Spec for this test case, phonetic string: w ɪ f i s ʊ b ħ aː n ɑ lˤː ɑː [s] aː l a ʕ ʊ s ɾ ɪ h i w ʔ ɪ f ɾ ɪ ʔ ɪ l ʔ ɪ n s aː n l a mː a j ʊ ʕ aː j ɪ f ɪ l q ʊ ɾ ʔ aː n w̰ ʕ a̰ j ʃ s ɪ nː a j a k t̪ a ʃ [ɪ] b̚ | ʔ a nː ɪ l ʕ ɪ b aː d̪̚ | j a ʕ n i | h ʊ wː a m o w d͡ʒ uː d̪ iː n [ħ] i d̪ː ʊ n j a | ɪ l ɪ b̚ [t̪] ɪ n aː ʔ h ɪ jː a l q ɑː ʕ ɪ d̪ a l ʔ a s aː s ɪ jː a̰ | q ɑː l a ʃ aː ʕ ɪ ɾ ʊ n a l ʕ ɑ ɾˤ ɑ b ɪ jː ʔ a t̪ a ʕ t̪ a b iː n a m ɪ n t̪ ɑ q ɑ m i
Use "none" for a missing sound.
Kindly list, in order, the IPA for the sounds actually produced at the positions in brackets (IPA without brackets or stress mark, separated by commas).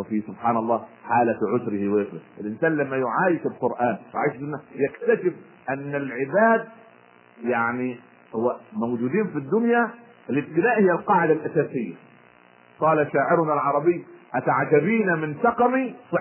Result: ħ, ɪ, f, t̪